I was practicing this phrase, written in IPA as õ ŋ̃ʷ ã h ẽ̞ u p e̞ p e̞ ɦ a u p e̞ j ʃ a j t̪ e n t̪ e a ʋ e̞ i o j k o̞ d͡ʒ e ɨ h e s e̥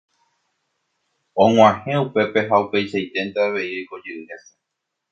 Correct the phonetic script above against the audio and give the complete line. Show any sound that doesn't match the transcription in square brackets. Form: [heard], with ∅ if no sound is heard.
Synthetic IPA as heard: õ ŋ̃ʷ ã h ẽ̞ u p e̞ p e̞ ɦ a u p e̞ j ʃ a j t̪ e n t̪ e a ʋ e̞ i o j k o̞ d͡ʒ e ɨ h e s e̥